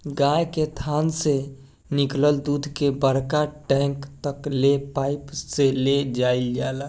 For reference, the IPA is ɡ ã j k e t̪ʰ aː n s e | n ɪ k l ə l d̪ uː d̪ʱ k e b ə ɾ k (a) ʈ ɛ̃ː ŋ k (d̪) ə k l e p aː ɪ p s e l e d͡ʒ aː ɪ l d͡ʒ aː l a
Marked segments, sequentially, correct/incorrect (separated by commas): correct, incorrect